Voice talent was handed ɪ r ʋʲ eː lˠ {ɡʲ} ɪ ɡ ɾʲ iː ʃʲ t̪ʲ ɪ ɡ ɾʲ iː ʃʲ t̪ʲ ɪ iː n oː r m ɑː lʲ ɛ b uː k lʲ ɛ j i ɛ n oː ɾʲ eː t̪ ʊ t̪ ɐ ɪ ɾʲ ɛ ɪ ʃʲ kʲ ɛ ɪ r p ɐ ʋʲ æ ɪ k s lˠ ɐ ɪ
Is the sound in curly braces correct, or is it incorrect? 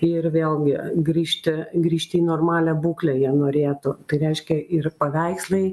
correct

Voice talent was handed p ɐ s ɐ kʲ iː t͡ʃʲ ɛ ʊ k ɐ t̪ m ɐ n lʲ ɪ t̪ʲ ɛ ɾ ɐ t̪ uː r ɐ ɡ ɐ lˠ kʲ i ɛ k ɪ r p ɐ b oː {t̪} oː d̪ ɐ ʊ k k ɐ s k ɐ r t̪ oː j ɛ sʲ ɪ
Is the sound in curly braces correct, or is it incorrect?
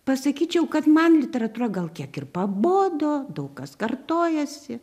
incorrect: d̪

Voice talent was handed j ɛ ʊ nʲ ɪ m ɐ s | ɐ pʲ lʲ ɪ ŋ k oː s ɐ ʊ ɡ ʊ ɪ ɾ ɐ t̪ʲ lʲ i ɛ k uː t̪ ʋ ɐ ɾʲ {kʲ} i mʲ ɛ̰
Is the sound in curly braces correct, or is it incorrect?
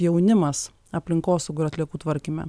correct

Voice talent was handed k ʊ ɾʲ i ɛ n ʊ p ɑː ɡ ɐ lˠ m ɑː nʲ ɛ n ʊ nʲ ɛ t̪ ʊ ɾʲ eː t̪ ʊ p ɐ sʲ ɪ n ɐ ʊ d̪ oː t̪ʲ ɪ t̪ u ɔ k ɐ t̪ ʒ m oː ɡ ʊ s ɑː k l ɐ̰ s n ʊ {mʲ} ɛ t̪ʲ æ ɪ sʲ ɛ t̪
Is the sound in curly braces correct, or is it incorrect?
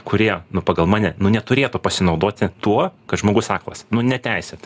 incorrect: nʲ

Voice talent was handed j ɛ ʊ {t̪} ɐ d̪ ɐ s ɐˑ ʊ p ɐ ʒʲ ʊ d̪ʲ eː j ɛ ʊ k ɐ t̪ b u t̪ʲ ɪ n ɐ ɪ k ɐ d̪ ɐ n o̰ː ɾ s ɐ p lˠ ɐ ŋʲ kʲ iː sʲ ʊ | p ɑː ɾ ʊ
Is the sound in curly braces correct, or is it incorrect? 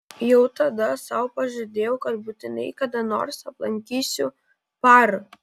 correct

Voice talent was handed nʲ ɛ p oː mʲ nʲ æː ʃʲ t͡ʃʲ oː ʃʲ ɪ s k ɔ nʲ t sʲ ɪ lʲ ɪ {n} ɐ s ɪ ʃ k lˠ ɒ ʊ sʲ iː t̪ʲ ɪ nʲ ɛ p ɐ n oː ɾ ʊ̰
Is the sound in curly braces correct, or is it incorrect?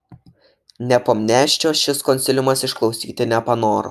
incorrect: m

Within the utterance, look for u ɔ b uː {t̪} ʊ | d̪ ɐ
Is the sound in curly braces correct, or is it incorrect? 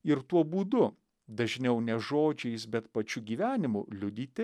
incorrect: d̪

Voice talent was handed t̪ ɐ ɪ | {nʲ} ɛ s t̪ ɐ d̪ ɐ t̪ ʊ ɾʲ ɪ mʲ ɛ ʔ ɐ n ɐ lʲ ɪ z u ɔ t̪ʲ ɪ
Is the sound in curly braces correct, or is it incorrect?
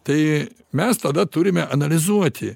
incorrect: mʲ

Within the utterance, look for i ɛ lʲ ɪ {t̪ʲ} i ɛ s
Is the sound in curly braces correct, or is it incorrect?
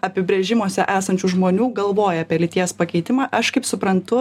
correct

